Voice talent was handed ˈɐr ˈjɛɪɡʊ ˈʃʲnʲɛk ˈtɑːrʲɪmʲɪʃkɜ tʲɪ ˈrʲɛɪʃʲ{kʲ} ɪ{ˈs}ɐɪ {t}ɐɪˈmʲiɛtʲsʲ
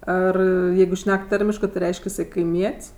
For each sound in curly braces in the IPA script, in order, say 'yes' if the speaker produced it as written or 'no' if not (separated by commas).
yes, yes, no